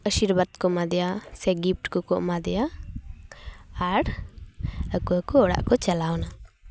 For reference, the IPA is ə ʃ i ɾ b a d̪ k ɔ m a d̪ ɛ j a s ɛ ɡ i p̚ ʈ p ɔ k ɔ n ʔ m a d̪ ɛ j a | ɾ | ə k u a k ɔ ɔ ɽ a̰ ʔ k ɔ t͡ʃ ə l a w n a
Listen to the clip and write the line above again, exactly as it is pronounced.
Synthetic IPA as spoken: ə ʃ i ɾ b a d̪ k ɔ m a d̪ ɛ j a s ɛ ɡ i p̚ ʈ k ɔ k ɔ ʔ m a d̪ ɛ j a | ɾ | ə k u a k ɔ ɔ ɽ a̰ ʔ k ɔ t͡ʃ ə l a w n a